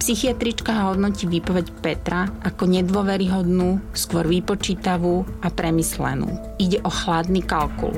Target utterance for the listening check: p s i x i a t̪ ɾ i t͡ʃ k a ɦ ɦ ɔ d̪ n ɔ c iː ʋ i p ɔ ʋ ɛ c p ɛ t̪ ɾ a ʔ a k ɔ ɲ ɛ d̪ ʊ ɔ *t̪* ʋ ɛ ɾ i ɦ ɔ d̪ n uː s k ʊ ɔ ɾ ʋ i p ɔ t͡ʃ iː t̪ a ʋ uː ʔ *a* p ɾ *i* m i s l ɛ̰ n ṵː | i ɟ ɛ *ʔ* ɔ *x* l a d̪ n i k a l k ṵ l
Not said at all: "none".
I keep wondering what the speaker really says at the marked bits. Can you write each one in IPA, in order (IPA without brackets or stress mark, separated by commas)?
none, a, ɛ, ʔ, x